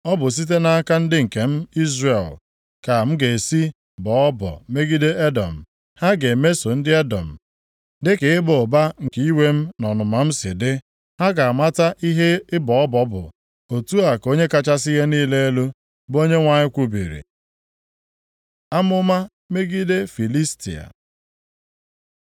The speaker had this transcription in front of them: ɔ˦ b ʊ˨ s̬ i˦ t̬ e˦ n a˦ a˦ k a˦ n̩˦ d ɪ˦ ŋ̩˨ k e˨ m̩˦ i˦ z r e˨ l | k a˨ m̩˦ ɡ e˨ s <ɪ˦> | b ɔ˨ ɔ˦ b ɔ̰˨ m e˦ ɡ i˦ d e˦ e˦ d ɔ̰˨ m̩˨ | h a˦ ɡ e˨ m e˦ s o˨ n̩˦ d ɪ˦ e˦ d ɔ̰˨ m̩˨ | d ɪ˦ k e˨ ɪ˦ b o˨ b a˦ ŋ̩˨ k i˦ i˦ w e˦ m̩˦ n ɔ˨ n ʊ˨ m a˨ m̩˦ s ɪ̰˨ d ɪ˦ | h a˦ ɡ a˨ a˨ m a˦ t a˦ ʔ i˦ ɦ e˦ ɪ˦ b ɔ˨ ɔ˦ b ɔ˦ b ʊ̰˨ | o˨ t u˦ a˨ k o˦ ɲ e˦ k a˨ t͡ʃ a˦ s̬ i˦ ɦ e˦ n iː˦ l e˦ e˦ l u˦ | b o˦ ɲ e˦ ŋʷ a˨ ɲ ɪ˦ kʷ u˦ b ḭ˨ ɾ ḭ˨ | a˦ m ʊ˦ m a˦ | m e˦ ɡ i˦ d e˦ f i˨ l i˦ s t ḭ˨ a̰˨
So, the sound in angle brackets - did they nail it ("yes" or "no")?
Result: no